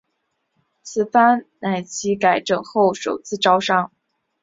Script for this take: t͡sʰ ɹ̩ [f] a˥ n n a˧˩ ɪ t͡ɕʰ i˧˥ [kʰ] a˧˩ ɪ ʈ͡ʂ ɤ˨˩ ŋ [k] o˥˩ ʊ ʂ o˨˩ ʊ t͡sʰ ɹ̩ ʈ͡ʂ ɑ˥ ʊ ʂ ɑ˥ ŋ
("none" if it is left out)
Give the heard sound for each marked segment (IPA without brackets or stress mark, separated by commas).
f, k, x